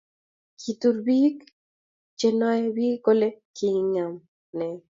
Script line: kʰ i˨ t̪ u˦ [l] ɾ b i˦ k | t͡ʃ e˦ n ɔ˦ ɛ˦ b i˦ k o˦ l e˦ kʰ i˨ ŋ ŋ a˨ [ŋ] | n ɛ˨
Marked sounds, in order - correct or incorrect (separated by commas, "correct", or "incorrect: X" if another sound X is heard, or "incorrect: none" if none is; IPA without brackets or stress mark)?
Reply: incorrect: none, incorrect: m